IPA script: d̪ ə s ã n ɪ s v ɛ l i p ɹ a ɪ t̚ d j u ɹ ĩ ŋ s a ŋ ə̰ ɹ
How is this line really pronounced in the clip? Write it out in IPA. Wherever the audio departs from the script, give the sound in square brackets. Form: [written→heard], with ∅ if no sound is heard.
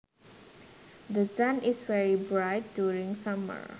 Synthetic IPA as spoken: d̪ ə s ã n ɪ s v ɛ [l→ɹ] i [p→b] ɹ a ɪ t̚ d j u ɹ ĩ ŋ s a [ŋ→m] ə̰ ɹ

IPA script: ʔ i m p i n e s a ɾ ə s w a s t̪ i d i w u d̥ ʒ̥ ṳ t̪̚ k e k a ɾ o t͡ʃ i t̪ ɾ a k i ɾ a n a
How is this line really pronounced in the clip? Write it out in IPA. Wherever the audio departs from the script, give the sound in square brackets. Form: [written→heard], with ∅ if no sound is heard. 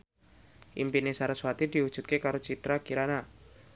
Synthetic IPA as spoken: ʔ i m p i n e s a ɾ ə s w a [s→∅] t̪ i d i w u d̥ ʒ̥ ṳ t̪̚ k e k a ɾ o t͡ʃ i t̪ ɾ a k i ɾ a n a

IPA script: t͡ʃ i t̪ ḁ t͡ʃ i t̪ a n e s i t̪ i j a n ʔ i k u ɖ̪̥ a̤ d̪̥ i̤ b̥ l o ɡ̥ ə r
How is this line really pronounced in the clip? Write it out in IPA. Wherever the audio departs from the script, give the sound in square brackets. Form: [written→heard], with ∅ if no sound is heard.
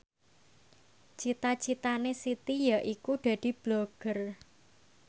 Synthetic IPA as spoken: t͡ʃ i t̪ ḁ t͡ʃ i t̪ a n e s i t̪ i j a [n→∅] ʔ i k u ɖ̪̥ a̤ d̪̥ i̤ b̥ l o ɡ̥ ə r

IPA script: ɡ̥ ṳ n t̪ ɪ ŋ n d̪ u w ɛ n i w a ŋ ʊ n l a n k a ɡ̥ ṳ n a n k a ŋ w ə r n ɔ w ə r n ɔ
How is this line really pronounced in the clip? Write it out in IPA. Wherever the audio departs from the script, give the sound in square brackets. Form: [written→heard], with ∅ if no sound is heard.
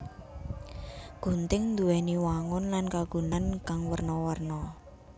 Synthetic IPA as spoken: ɡ̥ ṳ n t̪ ɪ ŋ n d̪ u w ɛ n i w a ŋ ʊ n l a n k a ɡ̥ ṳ n a n k a ŋ w ə r n ɔ w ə r n ɔ

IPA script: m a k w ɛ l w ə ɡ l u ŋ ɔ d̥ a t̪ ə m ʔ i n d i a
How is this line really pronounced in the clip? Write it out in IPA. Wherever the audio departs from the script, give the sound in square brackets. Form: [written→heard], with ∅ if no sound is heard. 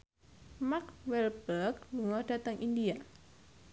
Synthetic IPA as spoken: m a k w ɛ l [w→b] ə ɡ l u ŋ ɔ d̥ a t̪ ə [m→ŋ] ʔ i n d i a

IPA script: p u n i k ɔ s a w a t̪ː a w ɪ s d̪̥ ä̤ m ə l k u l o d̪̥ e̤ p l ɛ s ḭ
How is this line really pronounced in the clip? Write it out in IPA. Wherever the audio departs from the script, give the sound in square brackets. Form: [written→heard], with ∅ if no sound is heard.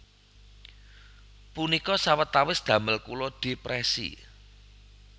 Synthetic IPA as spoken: p u n i k ɔ s a w [a→ə] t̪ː a w ɪ s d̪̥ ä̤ m ə l k u l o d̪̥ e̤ p [l→ɾ] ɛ s ḭ

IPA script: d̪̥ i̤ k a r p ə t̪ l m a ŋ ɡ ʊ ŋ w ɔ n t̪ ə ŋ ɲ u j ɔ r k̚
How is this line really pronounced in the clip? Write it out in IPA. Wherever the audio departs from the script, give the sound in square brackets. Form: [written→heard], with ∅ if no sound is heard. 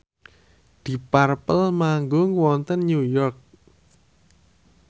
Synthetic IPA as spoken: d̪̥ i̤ [k→p] a r p ə [t̪→∅] l m a ŋ ɡ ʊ ŋ w ɔ n t̪ ə [ŋ→n] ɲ u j ɔ r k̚

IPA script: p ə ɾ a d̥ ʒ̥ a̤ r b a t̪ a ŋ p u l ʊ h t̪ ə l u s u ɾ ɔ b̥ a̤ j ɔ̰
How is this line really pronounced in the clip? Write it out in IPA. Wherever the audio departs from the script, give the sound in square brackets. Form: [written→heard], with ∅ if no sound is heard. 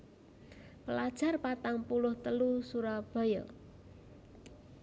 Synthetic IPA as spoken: p ə [ɾ→l] a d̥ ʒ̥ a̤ r [b→p] a t̪ a ŋ p u l ʊ h t̪ ə l u s u ɾ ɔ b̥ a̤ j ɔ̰

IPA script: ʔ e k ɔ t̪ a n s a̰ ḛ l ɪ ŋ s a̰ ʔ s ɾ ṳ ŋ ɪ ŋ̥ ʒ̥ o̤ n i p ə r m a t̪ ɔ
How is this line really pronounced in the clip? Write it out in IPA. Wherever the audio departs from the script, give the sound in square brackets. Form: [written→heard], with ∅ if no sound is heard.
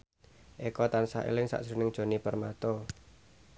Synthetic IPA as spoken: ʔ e k ɔ t̪ a n s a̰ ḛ l ɪ ŋ s a̰ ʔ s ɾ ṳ [ŋ→n] ɪ ŋ̥ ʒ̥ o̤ n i p ə r m a t̪ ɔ

